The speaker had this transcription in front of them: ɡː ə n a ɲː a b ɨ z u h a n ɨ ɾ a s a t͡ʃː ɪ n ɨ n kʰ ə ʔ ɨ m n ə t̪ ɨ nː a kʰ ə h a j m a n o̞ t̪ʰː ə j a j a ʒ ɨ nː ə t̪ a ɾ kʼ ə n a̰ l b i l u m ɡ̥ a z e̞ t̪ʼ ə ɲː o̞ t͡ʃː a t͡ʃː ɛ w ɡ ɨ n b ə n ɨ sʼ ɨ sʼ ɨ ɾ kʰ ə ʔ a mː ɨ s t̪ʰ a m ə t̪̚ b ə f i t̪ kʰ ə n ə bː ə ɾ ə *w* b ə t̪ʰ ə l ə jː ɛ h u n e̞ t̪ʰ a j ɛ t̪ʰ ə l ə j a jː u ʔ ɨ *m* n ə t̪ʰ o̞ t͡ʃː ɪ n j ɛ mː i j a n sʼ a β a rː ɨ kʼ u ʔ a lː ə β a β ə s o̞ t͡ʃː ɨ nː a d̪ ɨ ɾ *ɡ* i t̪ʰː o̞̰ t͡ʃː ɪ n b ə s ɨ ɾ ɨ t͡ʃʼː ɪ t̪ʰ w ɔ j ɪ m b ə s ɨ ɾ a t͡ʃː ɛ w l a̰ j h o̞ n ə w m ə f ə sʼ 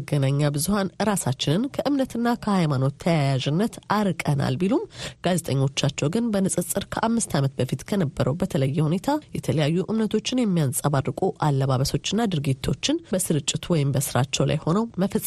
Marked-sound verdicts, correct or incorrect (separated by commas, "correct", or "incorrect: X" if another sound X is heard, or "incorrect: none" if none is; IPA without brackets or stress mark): correct, correct, correct